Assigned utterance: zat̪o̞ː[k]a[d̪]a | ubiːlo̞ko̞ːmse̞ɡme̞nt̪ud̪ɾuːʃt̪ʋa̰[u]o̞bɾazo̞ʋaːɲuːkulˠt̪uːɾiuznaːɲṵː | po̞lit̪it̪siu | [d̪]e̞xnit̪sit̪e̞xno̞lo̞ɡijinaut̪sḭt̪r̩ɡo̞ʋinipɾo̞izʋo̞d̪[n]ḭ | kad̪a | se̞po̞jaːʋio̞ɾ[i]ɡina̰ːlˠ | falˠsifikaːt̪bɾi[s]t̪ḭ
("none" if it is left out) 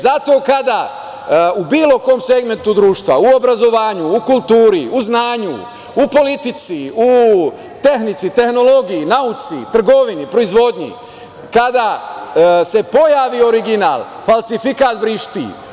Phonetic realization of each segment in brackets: k, d̪, u, t̪, ɲ, i, ʃ

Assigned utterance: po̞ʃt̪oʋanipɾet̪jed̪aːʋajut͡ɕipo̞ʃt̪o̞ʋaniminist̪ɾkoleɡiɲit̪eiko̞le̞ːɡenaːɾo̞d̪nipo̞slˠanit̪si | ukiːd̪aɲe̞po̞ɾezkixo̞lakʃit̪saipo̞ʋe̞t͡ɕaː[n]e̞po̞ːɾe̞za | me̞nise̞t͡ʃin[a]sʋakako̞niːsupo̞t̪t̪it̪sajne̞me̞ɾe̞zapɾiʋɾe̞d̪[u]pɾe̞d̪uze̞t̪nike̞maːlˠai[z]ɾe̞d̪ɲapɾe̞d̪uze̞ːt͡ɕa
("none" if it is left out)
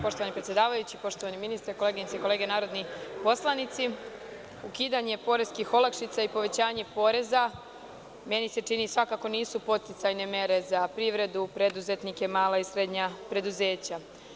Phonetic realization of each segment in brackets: ɲ, i, u, s

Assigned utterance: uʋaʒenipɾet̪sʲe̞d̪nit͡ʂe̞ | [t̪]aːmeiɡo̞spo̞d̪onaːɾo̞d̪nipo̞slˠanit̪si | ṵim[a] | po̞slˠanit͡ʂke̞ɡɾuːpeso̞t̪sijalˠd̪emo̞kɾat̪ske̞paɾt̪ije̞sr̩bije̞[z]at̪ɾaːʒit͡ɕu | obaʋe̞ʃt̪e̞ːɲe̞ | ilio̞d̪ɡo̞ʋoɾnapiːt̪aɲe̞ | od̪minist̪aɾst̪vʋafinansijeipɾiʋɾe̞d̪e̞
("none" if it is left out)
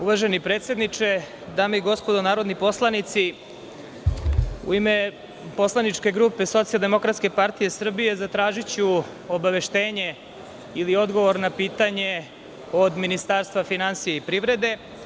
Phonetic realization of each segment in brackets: d̪, e, z

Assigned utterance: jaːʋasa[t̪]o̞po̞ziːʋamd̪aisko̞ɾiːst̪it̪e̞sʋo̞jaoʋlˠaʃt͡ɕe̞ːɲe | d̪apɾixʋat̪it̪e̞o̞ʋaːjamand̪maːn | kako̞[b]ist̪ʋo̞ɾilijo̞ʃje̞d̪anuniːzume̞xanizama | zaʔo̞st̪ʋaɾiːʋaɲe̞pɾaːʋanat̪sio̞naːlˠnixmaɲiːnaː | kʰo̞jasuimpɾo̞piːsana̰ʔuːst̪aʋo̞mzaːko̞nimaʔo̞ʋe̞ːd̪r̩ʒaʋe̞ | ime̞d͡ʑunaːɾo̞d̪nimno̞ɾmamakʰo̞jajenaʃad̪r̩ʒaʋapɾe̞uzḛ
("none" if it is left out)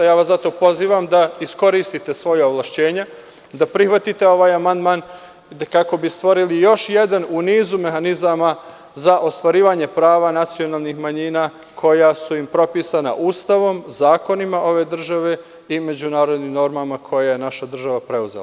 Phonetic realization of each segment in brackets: t̪, b

